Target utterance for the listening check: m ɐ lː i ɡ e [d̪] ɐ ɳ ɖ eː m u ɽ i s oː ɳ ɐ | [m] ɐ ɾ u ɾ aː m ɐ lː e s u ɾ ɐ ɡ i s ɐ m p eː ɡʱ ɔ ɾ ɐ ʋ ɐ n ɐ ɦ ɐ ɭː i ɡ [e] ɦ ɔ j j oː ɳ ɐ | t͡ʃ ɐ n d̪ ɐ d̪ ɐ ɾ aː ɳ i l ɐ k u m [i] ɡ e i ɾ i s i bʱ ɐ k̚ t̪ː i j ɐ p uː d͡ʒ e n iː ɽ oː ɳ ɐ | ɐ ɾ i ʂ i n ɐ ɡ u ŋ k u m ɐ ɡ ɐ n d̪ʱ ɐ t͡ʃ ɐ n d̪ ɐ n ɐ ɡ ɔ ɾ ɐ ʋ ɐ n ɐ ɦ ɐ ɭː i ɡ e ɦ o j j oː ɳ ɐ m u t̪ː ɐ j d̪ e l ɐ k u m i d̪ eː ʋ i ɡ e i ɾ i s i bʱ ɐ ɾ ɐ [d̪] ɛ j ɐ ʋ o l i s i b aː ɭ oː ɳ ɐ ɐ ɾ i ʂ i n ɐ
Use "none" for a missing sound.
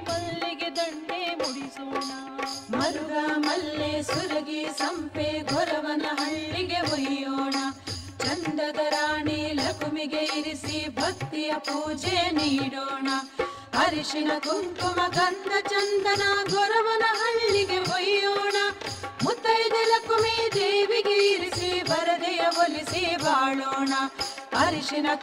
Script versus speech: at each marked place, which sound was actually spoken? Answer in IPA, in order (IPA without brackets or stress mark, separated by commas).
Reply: d̪, m, e, i, d̪